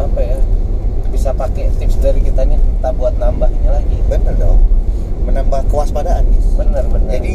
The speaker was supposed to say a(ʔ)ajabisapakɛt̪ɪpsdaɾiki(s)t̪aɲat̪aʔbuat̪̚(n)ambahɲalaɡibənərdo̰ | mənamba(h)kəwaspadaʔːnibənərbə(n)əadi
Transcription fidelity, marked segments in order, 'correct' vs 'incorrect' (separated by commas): incorrect, incorrect, correct, correct, correct